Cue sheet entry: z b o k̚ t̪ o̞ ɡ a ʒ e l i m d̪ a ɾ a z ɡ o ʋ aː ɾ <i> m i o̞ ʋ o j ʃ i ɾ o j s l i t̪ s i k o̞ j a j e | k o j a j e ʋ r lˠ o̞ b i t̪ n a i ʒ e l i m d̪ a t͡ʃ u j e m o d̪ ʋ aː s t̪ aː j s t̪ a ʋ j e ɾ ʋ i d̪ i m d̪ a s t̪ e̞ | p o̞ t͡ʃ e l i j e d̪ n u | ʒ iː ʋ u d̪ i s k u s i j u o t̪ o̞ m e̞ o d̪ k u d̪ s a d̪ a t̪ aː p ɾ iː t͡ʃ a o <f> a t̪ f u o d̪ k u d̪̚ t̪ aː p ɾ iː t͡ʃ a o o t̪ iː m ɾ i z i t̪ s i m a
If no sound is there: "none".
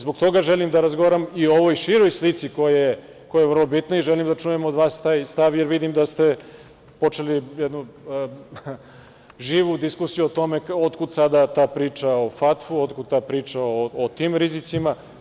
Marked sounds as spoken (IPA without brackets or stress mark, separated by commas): a, f